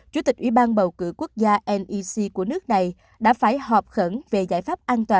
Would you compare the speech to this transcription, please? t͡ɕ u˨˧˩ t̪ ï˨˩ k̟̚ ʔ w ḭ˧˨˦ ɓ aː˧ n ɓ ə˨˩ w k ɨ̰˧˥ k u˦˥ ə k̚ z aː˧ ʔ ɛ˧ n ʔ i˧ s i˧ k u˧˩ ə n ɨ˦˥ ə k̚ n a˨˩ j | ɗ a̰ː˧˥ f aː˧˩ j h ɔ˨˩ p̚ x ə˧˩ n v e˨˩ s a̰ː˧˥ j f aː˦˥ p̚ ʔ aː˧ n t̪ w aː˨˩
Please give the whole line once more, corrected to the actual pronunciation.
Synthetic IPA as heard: t͡ɕ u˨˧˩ t̪ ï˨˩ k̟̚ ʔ w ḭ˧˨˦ ɓ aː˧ n ɓ ə˨˩ w k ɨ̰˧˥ k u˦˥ ə k̚ z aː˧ ʔ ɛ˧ n ʔ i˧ s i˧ k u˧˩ ə n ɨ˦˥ ə k̚ n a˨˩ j | ɗ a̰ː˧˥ f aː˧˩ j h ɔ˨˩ p̚ x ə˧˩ n v e˨˩ z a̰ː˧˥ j f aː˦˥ p̚ ʔ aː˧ n t̪ w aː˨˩